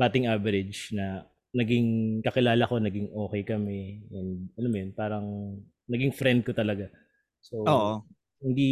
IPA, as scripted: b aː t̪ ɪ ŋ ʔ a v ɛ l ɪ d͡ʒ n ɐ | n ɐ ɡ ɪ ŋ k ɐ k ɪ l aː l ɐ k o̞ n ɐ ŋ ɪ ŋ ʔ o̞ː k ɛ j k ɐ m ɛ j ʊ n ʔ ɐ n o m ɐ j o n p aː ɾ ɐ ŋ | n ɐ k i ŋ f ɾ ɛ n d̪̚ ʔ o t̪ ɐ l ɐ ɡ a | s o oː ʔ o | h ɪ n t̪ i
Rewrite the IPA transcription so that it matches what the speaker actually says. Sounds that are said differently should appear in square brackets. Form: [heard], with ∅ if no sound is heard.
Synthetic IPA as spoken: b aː t̪ ɪ ŋ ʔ a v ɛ [ɾ] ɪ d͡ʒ n ɐ | n ɐ ɡ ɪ ŋ k ɐ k ɪ l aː l ɐ k o̞ n ɐ [ɡ] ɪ ŋ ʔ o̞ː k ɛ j k ɐ m ɛ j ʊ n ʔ ɐ n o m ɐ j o n p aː ɾ ɐ ŋ | n ɐ [ɡ] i ŋ f ɾ ɛ n d̪̚ [k] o t̪ ɐ l ɐ ɡ a | s o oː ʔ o | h ɪ n [d̪] i